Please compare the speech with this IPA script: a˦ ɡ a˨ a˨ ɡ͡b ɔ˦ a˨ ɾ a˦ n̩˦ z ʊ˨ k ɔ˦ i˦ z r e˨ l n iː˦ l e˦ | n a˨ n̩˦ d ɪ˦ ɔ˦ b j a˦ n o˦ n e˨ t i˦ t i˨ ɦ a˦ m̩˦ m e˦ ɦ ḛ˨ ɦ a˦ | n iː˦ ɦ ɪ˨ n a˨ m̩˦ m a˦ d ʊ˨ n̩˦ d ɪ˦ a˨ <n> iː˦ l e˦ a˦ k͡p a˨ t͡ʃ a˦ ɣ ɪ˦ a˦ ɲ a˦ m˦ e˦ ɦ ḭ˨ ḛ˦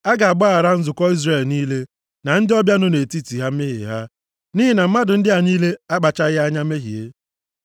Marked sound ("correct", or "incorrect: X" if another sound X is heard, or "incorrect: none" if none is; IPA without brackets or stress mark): incorrect: ɲ